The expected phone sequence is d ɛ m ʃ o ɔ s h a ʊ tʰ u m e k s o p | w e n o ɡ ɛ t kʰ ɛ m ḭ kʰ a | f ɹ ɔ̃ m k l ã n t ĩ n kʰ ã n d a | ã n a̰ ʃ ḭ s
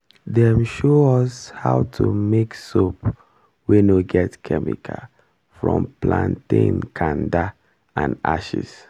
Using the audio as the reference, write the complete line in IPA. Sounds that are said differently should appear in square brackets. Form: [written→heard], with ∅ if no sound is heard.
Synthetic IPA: d ɛ m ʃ o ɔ s h a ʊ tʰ u m e k s o p | w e n o ɡ ɛ t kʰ ɛ m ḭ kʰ a | f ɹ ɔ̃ m [k→p] l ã n t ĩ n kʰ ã n d a | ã n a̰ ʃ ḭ s